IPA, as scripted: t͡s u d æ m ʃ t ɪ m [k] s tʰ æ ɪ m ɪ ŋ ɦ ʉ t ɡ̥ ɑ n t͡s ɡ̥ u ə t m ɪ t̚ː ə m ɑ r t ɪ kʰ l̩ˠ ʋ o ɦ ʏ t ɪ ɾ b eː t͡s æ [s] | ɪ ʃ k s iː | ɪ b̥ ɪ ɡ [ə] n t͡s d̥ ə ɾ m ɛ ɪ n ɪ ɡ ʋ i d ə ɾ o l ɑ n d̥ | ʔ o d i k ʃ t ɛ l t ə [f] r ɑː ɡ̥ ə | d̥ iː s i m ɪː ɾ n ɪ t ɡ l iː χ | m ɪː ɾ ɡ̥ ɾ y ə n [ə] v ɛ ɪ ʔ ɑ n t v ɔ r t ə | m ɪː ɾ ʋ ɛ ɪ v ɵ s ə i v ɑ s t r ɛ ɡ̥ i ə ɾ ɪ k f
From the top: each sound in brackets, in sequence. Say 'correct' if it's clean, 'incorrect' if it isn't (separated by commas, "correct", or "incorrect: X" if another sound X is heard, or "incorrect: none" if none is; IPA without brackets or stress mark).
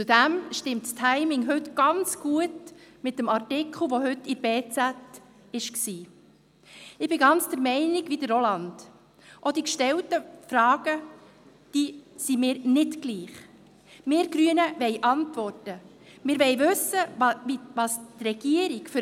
incorrect: t, incorrect: t, incorrect: ɑ, correct, correct